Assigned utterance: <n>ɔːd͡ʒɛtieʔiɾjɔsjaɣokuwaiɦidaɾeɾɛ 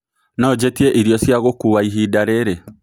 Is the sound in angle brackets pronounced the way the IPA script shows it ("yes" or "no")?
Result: yes